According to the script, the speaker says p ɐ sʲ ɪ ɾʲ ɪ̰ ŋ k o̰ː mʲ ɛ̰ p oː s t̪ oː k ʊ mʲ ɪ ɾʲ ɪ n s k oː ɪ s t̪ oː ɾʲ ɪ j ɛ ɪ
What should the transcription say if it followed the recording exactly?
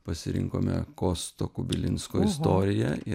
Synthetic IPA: p ɐ sʲ ɪ ɾʲ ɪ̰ ŋ k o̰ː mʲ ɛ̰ k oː s t̪ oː k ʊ bʲ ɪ lʲ ɪ n s k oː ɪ s t̪ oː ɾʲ ɪ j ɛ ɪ